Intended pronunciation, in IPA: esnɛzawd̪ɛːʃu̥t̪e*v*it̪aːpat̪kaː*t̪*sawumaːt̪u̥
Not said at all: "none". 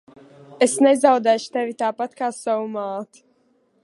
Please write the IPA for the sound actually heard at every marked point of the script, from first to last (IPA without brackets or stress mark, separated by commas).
v, none